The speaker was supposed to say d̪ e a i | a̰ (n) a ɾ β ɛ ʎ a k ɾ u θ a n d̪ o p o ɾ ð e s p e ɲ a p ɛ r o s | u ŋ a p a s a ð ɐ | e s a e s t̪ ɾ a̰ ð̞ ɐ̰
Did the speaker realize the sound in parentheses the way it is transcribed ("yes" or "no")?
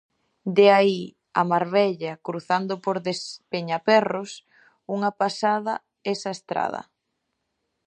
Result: no